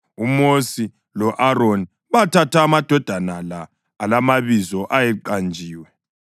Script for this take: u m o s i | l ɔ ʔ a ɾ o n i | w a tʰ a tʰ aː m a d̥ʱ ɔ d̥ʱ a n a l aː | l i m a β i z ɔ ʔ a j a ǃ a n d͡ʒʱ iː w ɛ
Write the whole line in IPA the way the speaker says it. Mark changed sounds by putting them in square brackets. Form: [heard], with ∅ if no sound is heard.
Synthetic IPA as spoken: u m o s i | l ɔ ʔ a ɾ o n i | [β] a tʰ a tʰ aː m a d̥ʱ ɔ d̥ʱ a n a l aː | l [a] m a β i z ɔ ʔ a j [ɛ] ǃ a n d͡ʒʱ iː w ɛ